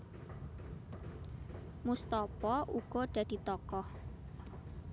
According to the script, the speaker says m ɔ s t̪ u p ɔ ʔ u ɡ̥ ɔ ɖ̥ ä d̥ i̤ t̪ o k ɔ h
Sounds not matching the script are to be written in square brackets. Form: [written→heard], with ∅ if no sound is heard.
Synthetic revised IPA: m [ɔ→u] s t̪ [u→ɔ] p ɔ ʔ u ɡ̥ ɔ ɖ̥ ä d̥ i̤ t̪ [o→ɔ] k ɔ h